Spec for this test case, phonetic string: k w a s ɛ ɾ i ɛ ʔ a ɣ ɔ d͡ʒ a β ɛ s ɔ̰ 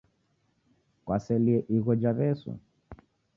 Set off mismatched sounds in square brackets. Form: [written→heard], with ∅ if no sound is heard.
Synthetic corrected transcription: k w a s ɛ [ɾ→l] i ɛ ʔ [a→i] ɣ ɔ d͡ʒ a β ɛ s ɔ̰